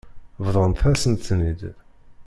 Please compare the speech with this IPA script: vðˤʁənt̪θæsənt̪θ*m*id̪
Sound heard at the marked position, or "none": n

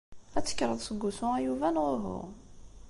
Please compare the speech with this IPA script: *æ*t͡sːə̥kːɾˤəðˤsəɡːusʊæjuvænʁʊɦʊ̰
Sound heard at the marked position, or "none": æ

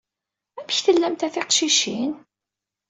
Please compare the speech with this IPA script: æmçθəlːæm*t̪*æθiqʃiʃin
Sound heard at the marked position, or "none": t̪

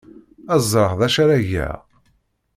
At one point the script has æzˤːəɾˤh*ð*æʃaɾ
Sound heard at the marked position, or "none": ð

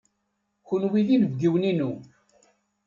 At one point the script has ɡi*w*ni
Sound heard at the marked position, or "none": w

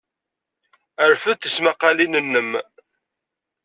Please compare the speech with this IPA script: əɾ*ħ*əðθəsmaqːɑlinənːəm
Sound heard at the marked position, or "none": f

